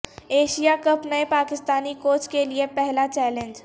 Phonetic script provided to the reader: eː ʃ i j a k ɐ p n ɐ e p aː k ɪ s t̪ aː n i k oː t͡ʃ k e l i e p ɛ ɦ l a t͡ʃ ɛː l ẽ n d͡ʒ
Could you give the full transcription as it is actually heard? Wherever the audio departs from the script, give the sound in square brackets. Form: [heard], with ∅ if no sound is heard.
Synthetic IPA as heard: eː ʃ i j a k ɐ p n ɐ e p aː k ɪ s t̪ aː n i k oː t͡ʃ k e l i e p ɛ ɦ l a t͡ʃ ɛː l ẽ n d͡ʒ